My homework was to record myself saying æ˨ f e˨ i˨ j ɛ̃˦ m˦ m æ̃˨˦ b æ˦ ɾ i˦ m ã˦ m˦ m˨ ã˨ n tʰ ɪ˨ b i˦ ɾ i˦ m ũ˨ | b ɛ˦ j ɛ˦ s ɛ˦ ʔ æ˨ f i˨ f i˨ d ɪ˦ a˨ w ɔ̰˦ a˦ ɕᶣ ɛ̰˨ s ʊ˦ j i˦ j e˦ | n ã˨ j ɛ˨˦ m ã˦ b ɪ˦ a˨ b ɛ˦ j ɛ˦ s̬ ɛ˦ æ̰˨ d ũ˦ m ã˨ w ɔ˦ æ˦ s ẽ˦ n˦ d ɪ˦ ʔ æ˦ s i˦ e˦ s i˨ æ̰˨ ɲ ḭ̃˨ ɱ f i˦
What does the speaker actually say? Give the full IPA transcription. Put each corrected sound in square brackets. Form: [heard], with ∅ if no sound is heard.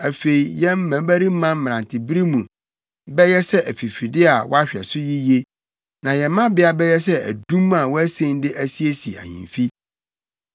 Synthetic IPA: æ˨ f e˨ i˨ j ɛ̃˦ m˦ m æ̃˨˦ b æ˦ ɾ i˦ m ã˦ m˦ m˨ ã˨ n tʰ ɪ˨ b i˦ ɾ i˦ m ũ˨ | b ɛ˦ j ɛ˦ s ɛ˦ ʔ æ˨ f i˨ f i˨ d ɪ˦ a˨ w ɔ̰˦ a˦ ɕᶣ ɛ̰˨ s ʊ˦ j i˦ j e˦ | n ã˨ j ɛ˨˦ m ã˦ b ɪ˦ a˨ b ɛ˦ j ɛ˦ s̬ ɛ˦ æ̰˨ d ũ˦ m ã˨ w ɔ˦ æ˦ s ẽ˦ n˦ d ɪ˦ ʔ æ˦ s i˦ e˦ s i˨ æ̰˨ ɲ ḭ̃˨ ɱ f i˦